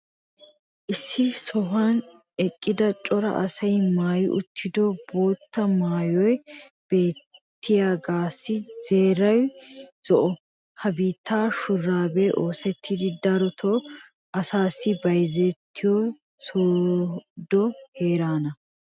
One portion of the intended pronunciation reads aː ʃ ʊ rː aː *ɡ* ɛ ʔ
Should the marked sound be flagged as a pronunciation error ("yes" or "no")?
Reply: yes